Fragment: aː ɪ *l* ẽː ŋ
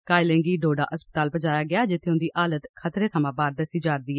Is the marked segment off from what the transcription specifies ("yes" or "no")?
no